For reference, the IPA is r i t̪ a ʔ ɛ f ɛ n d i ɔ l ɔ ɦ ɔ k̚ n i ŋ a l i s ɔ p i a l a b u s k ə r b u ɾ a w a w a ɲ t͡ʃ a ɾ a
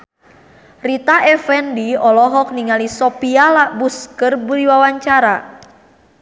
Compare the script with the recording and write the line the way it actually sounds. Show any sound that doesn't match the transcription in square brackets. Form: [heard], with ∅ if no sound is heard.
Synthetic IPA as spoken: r i t̪ a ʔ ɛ f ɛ n d i ɔ l ɔ ɦ ɔ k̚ n i ŋ a l i s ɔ p i a l a b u s k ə r b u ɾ [i] w a w a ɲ t͡ʃ a ɾ a